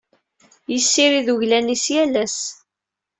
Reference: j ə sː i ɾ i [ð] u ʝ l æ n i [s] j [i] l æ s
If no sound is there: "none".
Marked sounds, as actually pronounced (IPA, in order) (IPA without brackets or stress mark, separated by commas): ð, s, æ